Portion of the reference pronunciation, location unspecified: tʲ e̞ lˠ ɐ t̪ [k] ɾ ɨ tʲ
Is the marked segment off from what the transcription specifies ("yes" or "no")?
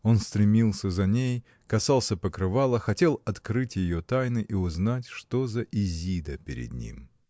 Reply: no